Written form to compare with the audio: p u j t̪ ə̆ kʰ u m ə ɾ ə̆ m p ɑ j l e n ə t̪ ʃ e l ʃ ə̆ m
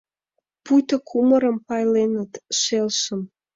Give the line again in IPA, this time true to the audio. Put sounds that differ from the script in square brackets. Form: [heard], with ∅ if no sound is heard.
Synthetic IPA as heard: p u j t̪ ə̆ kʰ u m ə ɾ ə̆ m p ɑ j l e n ə t̪ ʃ e l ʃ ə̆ m